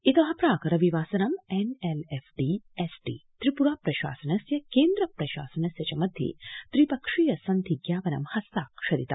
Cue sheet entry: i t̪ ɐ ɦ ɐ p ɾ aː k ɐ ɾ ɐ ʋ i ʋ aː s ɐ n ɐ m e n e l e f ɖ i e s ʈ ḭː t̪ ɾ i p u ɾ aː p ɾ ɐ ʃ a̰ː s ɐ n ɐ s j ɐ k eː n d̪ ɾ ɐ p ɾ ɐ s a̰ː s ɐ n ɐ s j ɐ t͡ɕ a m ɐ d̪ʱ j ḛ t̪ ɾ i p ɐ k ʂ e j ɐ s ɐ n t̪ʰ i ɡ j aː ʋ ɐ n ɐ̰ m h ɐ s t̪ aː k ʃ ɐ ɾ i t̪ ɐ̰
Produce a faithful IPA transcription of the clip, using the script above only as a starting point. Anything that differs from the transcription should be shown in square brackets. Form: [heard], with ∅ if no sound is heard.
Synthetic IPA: i t̪ ɐ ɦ ɐ p ɾ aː k ɐ ɾ ɐ ʋ i ʋ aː s ɐ n ɐ m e n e l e f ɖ i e s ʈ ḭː t̪ ɾ i p u ɾ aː p ɾ ɐ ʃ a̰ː s ɐ n ɐ s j ɐ k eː n d̪ ɾ ɐ p ɾ ɐ [ʃ] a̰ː s ɐ n ɐ s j ɐ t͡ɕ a m ɐ d̪ʱ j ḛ t̪ ɾ i p ɐ k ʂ [i] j ɐ s ɐ n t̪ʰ i ɡ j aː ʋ ɐ n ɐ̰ m h ɐ s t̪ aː k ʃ ɐ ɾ i t̪ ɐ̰